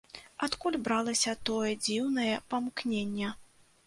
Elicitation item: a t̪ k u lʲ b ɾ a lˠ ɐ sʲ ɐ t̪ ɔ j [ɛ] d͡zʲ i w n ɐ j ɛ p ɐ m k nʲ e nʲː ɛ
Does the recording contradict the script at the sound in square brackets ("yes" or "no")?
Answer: no